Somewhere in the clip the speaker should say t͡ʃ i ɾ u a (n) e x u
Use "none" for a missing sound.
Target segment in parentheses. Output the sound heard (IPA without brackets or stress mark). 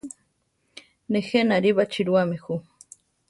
m